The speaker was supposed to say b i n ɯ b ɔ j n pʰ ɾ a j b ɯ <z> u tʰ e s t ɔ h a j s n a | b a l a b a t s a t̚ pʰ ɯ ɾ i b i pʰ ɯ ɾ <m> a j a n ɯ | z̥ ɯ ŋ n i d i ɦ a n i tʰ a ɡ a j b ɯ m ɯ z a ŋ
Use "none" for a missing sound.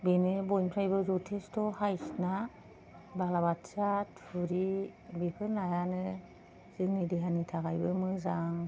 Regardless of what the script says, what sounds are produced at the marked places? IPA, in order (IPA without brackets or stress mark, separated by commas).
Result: z, n